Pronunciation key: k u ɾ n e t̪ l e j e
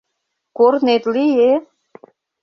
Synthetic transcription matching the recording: k o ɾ n e t̪ l i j e